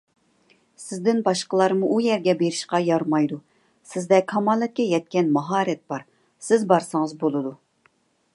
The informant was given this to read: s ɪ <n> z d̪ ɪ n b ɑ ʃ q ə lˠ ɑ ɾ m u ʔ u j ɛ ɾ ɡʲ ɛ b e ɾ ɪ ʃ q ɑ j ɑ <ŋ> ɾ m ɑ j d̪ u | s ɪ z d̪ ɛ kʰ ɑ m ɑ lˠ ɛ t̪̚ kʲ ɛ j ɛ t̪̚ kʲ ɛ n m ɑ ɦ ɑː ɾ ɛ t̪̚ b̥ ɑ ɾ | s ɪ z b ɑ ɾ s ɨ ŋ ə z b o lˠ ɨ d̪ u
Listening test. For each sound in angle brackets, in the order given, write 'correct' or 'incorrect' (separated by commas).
incorrect, incorrect